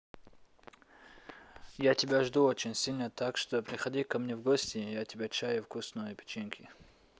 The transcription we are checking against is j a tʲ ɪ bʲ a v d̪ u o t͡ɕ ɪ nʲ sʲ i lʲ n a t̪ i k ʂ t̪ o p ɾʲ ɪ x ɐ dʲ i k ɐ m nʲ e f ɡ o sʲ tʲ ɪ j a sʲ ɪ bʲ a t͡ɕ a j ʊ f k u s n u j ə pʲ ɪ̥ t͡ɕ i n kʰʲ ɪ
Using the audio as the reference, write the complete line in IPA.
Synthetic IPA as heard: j a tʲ ɪ bʲ a ʐ d̪ u o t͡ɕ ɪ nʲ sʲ i lʲ n ə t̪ a k ʂ t̪ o p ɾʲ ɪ x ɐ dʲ i k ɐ m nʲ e v ɡ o sʲ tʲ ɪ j a tʲ ɪ bʲ a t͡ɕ a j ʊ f k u s n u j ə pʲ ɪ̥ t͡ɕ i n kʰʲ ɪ

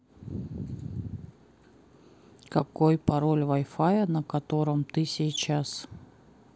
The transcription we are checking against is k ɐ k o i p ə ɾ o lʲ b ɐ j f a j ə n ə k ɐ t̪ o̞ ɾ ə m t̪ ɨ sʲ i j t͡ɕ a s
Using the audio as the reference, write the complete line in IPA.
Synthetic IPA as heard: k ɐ k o j p ɐ ɾ o lʲ v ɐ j f a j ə n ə k ɐ t̪ o̞ ɾ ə m t̪ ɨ sʲ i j t͡ɕ a s

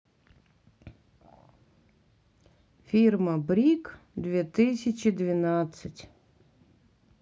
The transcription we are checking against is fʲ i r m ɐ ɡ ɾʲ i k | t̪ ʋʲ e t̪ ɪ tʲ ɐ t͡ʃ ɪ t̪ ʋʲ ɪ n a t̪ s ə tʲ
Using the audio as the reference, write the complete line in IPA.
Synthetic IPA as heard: fʲ i r m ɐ b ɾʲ i k | d̪ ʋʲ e t̪ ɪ sʲ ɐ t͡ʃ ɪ d̪ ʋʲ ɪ n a t̪ s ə tʲ

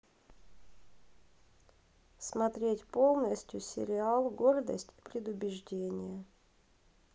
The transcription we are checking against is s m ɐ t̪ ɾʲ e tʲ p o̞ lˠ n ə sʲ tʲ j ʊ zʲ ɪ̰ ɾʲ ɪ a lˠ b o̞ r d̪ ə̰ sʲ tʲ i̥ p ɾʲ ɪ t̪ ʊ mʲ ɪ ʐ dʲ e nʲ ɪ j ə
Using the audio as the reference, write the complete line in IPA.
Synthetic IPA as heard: s m ɐ t̪ ɾʲ e tʲ p o̞ lˠ n ə sʲ tʲ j ʊ sʲ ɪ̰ ɾʲ ɪ a lˠ ɡ o̞ r d̪ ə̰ sʲ tʲ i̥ p ɾʲ ɪ d̪ ʊ bʲ ɪ ʐ dʲ e nʲ ɪ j ə

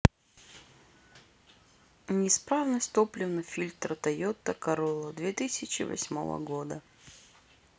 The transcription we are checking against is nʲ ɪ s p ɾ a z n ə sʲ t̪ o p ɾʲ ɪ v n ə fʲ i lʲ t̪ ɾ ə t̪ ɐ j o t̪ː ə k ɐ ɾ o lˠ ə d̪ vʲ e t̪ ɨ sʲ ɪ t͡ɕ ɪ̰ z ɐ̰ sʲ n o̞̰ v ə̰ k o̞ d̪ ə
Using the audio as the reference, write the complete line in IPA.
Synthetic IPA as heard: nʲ ɪ s p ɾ a v n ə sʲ t̪ o p lʲ ɪ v n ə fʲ i lʲ t̪ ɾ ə t̪ ɐ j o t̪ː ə k ɐ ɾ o lˠ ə d̪ vʲ e t̪ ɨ sʲ ɪ t͡ɕ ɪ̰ v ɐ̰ sʲ m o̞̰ v ə̰ ɡ o̞ d̪ ə

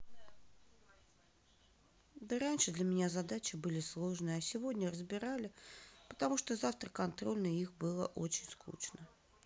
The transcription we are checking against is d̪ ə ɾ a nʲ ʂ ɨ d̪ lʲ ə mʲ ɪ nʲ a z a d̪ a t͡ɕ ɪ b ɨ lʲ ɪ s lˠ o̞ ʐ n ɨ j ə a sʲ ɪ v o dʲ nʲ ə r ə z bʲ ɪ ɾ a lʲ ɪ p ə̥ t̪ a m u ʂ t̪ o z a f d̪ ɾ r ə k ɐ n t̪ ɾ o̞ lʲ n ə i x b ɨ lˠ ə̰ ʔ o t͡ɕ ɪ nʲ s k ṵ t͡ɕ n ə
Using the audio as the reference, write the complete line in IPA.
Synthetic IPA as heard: d̪ ə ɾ a nʲ ʂ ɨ d̪ lʲ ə mʲ ɪ nʲ a z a d̪ a t͡ɕ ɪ b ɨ lʲ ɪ s lˠ o̞ ʐ n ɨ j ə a sʲ ɪ v o dʲ nʲ ə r ə z bʲ ɪ ɾ a lʲ ɪ p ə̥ t̪ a m u ʂ t̪ o z a f t̪ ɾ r ə k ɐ n t̪ ɾ o̞ lʲ n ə i x b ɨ lˠ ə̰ ʔ o t͡ɕ ɪ nʲ s k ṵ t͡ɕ n ə

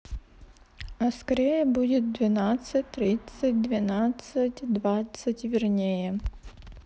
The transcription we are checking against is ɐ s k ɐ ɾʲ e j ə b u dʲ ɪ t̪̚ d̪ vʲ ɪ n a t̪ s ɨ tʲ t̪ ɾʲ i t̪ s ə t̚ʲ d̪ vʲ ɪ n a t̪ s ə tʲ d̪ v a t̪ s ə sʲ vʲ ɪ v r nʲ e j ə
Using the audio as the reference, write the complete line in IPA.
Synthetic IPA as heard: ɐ s k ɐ ɾʲ e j ə b u dʲ ɪ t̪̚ d̪ vʲ ɪ n a t̪ s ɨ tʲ t̪ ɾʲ i t̪ s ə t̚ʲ d̪ vʲ ɪ n a t̪ s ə tʲ d̪ v a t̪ s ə tʲ vʲ ɪ r nʲ e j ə

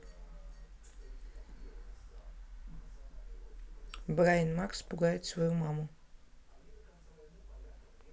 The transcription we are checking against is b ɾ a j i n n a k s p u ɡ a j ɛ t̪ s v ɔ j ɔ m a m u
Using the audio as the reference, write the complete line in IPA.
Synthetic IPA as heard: b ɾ a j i n m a k s p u ɡ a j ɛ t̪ s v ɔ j u m a m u

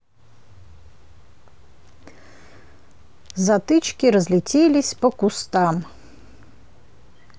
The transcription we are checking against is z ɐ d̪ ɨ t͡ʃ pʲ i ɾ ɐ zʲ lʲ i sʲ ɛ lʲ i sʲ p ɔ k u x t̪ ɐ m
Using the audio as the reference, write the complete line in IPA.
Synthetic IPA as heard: z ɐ t̪ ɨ t͡ʃ kʲ i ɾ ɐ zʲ lʲ i t͡sʲ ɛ lʲ i sʲ p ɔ k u s t̪ a m

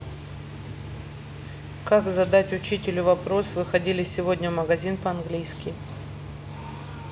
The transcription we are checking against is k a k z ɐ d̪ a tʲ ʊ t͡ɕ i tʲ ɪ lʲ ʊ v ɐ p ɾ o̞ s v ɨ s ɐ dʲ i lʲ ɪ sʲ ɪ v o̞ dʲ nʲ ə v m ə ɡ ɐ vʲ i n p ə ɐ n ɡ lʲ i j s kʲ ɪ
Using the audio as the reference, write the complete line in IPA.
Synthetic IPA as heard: k a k z ɐ d̪ a tʲ ʊ t͡ɕ i tʲ ɪ lʲ ʊ v ɐ p ɾ o̞ s v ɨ x ɐ dʲ i lʲ ɪ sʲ ɪ v o̞ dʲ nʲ ə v m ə ɡ ɐ zʲ i n p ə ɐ n ɡ lʲ i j s kʲ ɪ

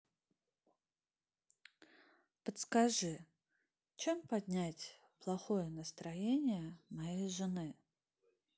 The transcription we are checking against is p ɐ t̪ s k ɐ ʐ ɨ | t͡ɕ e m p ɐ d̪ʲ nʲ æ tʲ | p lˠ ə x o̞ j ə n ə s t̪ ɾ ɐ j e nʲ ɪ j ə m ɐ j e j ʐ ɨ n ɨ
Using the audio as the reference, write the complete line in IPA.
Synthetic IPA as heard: p ə t̪ s k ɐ ʐ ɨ | t͡ɕ e m p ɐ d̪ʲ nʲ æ tʲ | p lˠ ɐ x o̞ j ə n ə s t̪ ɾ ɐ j e nʲ ɪ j ə m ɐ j e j ʐ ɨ n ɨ

